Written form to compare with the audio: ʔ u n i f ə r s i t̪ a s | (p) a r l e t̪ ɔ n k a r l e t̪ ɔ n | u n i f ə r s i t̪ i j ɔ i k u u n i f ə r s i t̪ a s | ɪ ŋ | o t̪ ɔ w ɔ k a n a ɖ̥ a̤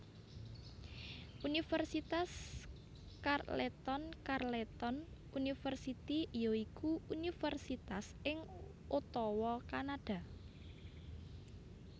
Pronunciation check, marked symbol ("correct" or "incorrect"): incorrect